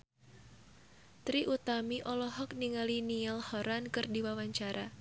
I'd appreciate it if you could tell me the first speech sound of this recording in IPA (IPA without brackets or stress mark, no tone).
t̪